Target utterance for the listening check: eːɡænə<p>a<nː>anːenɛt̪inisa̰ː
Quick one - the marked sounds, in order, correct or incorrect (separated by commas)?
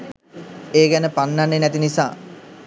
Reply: correct, correct